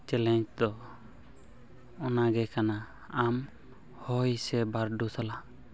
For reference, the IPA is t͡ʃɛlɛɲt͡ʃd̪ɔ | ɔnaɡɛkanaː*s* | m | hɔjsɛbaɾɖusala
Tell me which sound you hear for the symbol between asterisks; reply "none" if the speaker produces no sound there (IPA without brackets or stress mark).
none